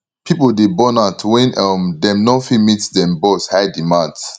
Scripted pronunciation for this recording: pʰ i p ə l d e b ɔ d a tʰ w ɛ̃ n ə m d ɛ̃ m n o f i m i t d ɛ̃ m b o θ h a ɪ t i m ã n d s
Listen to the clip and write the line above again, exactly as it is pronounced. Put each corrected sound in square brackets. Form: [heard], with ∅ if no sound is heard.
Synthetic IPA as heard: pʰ i p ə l d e b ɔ [n] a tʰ w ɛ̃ n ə m d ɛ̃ m n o f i m i t d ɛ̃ m b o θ h a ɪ [d] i m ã n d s